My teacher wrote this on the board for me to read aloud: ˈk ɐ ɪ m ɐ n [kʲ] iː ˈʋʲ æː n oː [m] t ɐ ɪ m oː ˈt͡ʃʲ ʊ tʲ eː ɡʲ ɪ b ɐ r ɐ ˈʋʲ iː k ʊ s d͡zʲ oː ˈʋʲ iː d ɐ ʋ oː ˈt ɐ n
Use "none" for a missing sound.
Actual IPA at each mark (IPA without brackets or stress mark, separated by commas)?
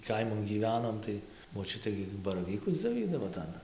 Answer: ɡʲ, m